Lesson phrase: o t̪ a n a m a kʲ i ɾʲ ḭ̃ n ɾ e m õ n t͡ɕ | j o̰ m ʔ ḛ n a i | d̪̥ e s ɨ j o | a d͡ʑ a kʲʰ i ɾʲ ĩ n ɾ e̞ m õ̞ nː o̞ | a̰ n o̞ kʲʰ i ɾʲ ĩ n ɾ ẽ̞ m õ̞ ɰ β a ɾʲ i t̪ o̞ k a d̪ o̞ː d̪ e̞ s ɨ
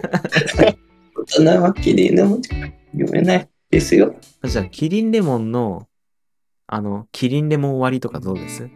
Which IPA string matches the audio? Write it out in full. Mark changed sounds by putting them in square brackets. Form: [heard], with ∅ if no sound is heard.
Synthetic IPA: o t̪ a n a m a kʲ i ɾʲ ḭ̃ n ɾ e m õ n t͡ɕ | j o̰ m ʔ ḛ n a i | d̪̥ e s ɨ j o | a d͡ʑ a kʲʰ i ɾʲ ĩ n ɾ e̞ m õ̞ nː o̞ | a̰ n o̞ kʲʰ i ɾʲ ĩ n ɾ [e̞] m õ̞ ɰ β a ɾʲ i t̪ o̞ k a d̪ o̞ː d̪ e̞ s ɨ